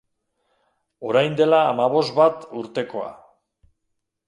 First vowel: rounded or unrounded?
rounded